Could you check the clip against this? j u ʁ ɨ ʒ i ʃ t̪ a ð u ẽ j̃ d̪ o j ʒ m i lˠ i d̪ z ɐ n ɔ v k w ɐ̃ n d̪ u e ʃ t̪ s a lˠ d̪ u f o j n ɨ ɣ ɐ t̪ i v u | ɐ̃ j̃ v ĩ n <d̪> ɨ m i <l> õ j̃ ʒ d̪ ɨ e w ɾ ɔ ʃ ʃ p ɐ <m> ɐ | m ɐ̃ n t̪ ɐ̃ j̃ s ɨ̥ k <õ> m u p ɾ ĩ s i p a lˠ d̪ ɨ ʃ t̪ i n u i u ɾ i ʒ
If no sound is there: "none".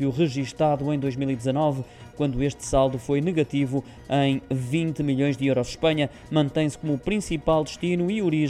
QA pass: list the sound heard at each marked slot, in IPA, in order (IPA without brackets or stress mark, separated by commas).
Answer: t̪, ʎ, ɲ, o